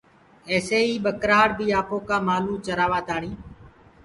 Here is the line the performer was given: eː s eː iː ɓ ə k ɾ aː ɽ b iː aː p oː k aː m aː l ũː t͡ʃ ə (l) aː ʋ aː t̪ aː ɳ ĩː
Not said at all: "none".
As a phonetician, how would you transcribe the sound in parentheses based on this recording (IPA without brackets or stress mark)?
ɾ